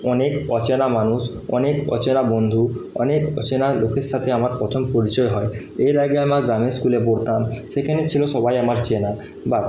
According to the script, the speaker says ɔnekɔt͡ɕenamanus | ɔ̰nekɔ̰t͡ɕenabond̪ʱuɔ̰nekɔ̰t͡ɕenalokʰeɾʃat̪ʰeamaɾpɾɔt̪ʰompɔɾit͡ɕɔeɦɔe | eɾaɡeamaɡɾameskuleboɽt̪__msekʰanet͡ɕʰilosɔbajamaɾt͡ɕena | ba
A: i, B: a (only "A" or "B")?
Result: B